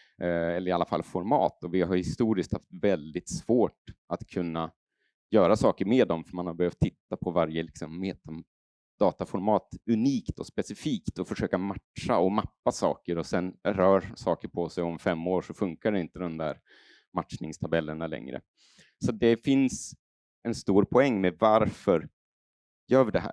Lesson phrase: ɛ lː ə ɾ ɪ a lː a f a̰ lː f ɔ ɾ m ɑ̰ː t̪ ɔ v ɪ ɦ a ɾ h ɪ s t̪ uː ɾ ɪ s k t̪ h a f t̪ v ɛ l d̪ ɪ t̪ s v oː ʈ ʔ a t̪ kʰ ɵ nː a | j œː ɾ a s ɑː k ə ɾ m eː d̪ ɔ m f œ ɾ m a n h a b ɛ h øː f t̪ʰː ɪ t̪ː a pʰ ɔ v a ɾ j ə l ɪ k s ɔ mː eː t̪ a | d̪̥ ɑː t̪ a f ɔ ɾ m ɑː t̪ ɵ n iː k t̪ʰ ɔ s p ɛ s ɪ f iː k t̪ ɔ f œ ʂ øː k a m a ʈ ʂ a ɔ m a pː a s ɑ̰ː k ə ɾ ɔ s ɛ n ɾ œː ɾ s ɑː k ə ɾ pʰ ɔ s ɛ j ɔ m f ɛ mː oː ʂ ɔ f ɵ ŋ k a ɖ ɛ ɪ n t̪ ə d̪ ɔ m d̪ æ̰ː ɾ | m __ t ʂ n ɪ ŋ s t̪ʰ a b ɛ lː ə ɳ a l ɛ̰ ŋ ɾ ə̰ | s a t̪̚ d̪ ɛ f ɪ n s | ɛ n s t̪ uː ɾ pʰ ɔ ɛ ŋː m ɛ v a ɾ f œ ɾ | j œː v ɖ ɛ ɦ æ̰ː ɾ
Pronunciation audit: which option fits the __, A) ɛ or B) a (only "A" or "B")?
B